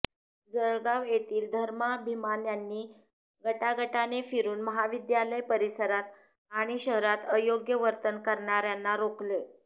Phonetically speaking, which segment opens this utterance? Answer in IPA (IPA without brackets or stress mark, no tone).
d͡z